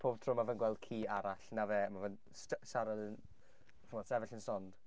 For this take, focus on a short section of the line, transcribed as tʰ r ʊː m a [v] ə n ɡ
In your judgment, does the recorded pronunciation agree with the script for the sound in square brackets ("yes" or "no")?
yes